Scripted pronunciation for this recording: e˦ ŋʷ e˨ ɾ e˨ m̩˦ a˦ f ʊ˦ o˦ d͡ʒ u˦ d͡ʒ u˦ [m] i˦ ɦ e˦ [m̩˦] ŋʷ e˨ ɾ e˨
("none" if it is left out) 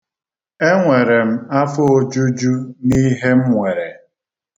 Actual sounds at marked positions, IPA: n, m̩˦

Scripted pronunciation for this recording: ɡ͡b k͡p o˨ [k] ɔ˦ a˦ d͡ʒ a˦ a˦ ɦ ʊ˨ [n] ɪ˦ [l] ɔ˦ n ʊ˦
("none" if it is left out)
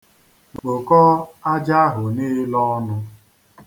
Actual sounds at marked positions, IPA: k, n, l

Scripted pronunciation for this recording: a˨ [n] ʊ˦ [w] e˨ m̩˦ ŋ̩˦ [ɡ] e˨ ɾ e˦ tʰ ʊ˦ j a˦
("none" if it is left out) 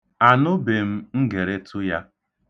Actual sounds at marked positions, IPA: n, b, ɡ

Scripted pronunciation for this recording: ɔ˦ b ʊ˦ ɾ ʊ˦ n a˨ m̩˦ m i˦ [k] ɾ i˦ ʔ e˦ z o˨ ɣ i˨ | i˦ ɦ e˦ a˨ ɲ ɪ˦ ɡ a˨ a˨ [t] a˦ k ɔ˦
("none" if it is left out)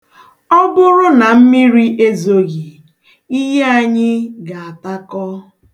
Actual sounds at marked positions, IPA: none, t

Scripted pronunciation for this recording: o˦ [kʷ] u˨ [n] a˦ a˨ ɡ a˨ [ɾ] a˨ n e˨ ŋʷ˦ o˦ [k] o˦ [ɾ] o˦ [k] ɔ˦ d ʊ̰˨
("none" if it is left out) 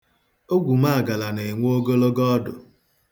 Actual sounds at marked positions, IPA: ɡʷ, m, l, ɡ, l, ɡ

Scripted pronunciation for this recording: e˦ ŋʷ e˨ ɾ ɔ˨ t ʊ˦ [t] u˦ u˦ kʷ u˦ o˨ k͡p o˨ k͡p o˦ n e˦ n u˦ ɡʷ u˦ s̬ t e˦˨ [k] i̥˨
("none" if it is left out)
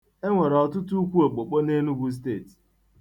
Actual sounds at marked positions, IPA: t, t

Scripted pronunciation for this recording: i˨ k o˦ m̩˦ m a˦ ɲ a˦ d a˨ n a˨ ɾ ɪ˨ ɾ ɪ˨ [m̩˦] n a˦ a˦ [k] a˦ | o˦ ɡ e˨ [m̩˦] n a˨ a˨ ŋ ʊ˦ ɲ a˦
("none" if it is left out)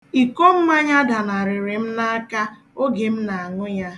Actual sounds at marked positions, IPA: m̩˦, k, m̩˦

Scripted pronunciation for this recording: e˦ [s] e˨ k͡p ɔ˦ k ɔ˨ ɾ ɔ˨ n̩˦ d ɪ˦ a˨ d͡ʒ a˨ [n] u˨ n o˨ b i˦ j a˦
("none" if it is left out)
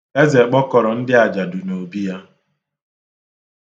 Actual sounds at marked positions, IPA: z, d

